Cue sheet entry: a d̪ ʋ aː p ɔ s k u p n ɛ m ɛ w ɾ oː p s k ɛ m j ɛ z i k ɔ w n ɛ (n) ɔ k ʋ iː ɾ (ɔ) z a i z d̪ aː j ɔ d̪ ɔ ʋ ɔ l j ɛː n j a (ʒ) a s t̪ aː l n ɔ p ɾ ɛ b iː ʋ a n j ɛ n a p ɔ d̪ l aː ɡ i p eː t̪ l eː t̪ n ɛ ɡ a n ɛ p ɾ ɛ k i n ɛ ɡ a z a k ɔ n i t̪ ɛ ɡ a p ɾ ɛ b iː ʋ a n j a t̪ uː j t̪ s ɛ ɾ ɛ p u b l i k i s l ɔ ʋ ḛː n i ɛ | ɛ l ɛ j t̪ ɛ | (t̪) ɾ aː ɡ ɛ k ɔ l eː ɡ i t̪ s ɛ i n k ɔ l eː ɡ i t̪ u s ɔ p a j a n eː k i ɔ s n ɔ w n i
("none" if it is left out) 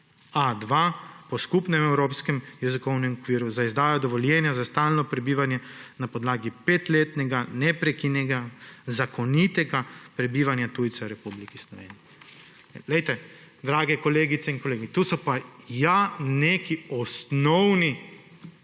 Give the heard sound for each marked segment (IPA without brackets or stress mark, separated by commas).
m, u, z, d̪